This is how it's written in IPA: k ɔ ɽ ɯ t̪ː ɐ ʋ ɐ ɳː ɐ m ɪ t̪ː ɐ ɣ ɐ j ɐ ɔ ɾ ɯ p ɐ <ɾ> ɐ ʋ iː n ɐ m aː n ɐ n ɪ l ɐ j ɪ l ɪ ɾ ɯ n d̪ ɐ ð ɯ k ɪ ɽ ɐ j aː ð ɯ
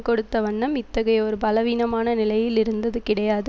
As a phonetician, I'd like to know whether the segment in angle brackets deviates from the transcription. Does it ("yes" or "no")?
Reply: yes